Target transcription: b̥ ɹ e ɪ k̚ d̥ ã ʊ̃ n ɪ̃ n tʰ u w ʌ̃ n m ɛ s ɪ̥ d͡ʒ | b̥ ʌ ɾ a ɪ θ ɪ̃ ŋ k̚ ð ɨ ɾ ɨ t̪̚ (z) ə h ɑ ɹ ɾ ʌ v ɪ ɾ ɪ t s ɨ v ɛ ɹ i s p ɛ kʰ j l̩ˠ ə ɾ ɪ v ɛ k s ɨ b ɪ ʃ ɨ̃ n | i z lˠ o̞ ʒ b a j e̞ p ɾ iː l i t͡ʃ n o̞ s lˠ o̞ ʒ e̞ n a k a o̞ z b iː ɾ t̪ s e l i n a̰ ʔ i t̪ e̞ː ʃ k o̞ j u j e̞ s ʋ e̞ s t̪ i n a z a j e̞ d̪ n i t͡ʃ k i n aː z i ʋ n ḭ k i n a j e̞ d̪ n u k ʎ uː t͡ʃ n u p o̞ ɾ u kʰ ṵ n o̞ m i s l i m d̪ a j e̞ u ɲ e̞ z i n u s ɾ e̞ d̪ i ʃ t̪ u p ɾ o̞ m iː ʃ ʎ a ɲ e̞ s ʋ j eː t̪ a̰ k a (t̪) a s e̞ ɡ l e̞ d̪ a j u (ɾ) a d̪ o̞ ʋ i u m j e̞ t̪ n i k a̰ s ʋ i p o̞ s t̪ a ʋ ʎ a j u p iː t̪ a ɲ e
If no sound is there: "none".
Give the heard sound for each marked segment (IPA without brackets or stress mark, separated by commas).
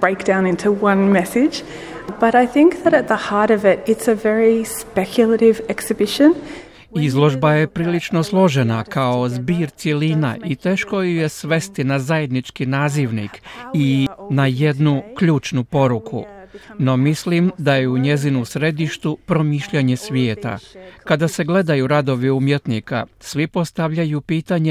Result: ð, d̪, ɾ